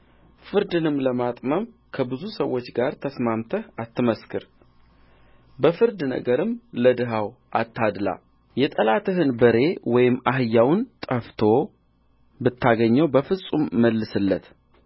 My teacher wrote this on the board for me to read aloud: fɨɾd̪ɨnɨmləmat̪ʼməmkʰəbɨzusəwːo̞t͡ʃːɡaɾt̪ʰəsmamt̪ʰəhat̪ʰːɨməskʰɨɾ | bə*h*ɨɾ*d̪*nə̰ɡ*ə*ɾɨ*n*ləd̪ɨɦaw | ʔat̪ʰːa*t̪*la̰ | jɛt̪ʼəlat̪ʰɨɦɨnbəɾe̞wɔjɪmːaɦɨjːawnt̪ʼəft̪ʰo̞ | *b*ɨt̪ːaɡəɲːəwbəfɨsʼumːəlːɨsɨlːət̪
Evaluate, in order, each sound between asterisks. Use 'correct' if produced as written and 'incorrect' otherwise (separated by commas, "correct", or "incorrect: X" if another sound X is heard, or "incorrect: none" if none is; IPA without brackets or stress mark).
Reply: incorrect: f, correct, correct, incorrect: m, incorrect: d̪, correct